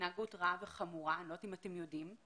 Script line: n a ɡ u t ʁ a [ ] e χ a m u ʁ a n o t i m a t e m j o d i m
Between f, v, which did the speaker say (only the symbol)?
v